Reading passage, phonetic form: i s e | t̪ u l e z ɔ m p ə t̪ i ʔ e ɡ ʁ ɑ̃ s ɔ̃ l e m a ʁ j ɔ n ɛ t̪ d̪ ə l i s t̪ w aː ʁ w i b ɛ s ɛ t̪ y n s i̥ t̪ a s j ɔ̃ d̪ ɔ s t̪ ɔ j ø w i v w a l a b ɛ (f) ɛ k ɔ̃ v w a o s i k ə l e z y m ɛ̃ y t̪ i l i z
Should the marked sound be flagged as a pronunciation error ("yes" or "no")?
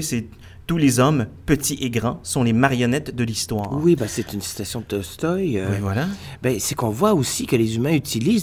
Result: yes